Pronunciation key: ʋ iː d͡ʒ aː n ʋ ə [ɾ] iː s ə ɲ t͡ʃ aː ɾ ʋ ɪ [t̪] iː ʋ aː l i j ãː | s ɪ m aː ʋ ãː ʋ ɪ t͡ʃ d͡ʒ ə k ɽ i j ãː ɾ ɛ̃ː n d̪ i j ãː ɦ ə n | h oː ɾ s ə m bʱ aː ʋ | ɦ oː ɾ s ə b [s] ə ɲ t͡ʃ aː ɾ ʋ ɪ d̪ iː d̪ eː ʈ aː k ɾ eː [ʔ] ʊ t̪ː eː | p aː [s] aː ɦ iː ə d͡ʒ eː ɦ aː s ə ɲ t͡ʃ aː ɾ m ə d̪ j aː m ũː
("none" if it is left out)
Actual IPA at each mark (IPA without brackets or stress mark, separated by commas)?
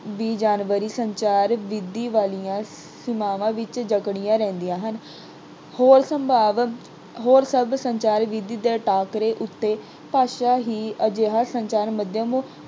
ɾ, d̪, s, ʔ, ʃ